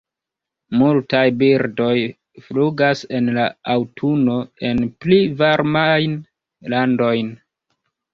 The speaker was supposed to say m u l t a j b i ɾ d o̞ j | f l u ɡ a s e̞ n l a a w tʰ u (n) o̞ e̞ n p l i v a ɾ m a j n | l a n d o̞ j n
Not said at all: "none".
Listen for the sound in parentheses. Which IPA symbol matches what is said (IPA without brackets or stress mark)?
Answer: n